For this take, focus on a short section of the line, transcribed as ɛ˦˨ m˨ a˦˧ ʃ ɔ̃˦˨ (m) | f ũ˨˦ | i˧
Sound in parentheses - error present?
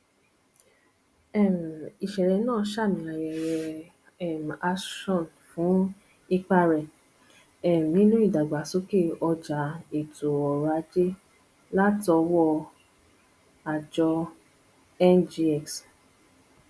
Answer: yes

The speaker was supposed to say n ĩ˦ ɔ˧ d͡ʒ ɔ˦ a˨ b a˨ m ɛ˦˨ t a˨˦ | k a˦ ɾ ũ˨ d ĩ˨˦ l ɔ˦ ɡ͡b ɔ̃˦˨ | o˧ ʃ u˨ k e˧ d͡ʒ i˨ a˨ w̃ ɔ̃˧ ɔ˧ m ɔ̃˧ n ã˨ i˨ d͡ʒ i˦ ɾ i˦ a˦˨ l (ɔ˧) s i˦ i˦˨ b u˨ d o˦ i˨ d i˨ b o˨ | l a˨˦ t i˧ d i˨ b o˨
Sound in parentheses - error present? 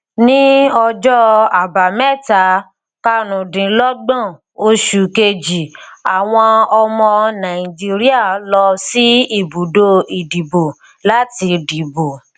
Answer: no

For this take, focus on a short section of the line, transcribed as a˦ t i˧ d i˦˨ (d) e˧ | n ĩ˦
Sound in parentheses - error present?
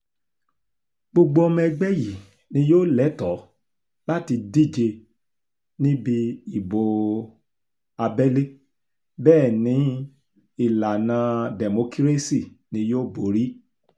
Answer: yes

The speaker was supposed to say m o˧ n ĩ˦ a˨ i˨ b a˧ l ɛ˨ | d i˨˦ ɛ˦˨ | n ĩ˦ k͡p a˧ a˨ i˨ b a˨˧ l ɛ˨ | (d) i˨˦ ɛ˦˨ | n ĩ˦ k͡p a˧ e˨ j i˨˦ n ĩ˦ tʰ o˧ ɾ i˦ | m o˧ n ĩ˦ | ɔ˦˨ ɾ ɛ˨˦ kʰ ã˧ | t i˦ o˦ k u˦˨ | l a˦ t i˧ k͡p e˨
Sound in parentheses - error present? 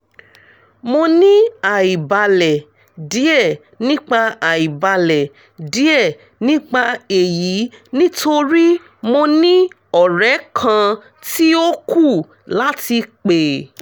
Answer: no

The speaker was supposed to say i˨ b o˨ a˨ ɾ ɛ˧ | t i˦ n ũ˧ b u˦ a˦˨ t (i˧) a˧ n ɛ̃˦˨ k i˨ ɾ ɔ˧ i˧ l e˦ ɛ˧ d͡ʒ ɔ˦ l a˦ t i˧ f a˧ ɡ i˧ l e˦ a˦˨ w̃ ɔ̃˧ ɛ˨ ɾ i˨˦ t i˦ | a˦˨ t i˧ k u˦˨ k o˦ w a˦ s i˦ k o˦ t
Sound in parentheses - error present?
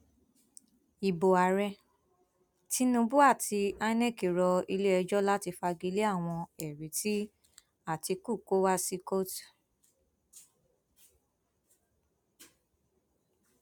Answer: no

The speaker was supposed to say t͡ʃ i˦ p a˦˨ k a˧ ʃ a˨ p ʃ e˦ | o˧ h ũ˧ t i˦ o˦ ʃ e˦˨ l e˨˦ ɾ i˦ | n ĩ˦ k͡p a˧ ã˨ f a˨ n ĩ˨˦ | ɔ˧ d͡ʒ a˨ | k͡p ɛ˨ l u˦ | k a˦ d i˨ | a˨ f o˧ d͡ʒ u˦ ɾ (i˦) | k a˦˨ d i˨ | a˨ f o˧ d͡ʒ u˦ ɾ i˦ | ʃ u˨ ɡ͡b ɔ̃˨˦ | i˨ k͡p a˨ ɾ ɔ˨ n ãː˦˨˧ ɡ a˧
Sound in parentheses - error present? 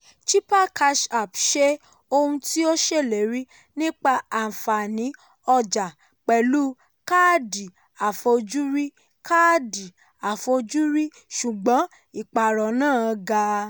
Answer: no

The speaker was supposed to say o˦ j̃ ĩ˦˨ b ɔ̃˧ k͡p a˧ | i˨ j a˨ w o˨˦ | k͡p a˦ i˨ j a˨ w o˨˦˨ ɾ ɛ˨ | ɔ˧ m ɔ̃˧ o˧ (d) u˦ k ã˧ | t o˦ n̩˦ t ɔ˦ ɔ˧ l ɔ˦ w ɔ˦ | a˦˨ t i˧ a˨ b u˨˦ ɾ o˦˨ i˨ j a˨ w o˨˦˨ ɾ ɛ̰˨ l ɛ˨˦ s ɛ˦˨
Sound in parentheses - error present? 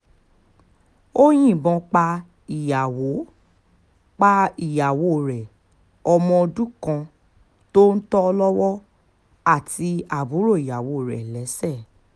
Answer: no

